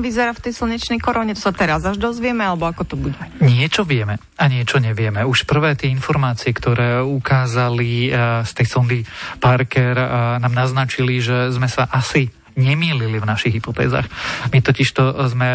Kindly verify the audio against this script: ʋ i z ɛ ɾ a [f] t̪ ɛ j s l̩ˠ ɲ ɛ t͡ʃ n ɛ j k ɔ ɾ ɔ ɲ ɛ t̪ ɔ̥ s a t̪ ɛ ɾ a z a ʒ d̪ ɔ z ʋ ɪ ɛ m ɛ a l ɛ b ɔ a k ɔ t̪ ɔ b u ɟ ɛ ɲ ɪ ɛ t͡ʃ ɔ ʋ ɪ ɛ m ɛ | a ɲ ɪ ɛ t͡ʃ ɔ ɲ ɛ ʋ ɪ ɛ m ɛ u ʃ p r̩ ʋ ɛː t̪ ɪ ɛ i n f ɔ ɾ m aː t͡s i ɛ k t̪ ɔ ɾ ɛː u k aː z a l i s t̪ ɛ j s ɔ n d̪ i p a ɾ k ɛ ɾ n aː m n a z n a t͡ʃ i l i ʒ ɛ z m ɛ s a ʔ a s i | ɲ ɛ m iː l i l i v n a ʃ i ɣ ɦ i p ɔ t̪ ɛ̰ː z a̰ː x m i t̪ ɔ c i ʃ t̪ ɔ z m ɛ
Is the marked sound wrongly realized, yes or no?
no